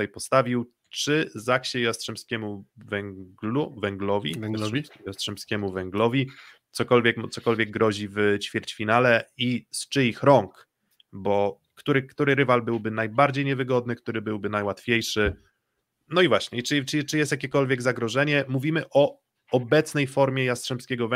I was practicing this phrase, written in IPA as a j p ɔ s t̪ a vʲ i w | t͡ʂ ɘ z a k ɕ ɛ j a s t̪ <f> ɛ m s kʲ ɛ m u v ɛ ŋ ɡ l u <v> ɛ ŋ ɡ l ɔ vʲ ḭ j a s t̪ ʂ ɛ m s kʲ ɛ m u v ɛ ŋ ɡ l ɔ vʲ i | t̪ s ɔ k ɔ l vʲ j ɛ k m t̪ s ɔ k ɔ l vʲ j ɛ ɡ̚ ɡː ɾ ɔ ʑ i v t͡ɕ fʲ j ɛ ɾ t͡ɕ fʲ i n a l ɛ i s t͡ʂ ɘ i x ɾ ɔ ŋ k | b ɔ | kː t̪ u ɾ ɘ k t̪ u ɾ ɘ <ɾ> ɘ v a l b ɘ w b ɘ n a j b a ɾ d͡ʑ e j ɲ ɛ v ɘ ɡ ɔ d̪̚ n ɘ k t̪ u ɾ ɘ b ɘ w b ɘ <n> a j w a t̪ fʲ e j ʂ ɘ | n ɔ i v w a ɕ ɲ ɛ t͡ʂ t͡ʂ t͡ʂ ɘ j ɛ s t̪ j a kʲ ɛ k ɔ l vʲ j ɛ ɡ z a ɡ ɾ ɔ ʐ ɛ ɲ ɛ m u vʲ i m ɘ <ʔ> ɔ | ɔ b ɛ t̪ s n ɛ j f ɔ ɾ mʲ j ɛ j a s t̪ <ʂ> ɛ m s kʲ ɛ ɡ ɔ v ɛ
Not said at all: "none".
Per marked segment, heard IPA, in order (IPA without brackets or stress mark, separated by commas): ʂ, v, ɾ, n, ʔ, ʂ